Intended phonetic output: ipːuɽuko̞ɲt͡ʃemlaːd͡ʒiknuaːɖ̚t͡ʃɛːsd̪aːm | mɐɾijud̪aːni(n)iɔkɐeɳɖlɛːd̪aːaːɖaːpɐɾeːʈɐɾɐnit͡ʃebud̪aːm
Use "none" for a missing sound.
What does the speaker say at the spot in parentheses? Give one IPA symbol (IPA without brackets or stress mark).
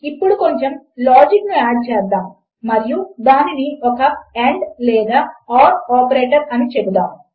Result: n